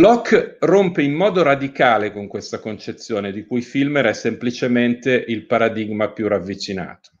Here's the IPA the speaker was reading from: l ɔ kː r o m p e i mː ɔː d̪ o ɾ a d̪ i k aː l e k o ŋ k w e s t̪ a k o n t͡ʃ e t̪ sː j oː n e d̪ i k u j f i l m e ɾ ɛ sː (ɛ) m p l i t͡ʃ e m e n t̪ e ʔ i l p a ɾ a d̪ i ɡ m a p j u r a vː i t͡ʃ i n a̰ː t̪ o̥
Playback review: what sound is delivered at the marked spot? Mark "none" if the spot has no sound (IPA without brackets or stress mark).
e